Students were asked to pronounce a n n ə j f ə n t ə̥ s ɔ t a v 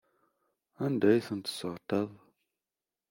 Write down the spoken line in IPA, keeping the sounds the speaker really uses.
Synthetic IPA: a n d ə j s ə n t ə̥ s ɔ t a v